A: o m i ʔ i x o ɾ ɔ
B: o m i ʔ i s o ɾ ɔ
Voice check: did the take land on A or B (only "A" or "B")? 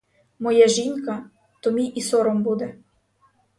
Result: B